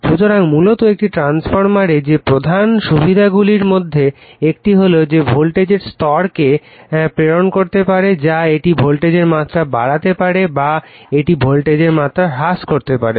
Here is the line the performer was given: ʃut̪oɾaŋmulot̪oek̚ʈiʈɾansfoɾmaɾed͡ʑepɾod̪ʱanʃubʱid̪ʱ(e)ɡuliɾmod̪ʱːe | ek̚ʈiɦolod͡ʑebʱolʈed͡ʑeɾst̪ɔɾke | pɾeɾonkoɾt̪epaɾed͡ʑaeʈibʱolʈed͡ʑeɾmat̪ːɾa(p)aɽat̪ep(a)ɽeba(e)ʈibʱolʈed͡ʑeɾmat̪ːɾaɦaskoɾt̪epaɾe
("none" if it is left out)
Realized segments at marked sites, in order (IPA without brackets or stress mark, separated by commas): a, b, a, e